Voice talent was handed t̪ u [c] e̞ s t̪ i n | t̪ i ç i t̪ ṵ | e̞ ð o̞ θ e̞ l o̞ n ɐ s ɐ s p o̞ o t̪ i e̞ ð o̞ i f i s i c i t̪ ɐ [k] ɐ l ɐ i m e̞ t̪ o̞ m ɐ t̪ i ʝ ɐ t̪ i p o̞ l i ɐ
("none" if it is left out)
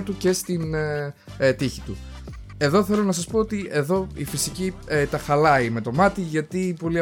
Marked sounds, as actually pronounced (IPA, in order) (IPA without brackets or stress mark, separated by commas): c, x